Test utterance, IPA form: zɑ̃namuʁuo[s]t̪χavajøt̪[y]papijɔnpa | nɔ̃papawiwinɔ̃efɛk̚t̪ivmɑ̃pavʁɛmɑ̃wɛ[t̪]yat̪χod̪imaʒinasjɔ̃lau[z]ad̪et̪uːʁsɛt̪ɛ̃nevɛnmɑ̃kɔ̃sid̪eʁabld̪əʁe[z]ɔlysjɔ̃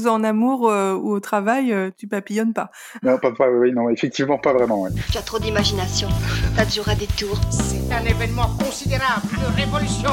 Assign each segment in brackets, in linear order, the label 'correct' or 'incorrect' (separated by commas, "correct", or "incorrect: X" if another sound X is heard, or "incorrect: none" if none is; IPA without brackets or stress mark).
incorrect: none, correct, correct, incorrect: ʁ, incorrect: v